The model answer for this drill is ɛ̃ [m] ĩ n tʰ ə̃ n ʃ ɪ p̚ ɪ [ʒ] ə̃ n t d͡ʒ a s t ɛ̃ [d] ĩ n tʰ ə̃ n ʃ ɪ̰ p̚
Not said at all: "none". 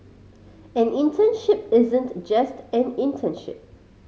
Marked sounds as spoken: n, z, n

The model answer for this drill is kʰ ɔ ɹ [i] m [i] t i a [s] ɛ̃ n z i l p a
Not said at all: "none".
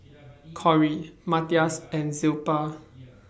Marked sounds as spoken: i, a, s

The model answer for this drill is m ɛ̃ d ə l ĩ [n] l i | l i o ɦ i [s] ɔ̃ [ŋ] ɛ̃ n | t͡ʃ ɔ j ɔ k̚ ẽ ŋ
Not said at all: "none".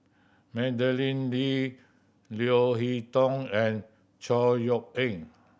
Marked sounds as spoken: n, t, ŋ

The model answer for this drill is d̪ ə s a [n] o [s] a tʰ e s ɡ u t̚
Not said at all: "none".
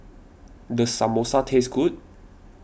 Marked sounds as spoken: m, s

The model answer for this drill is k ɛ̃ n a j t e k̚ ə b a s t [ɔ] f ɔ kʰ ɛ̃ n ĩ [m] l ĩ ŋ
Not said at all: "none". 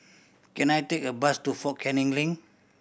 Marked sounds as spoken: u, ŋ

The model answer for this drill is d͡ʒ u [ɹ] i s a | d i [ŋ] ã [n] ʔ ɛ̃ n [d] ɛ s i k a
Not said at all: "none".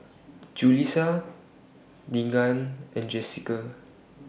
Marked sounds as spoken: l, ŋ, n, d͡ʒ

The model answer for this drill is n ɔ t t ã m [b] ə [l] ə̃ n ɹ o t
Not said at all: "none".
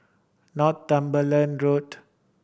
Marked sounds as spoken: b, l

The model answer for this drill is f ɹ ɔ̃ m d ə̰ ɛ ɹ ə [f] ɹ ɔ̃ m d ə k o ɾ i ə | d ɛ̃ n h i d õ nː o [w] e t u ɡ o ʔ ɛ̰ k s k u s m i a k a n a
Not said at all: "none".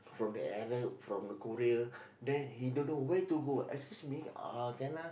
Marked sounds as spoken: f, w

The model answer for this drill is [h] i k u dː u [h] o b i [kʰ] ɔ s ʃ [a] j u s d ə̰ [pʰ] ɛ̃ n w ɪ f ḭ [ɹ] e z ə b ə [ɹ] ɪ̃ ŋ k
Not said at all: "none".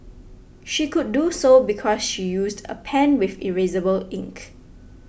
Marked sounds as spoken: ʃ, s, kʰ, i, pʰ, ɹ, l

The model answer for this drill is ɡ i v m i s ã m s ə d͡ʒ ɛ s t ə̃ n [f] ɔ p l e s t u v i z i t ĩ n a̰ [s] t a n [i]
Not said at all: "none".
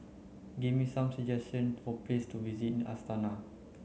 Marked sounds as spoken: f, s, a

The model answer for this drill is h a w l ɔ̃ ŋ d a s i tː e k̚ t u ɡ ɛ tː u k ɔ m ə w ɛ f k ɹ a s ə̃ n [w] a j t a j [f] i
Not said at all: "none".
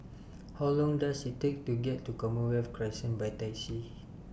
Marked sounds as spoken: b, s

